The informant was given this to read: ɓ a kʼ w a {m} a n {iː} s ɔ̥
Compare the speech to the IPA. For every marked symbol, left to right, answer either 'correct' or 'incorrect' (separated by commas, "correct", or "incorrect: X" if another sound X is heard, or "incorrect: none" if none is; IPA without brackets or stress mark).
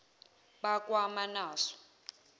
correct, incorrect: aː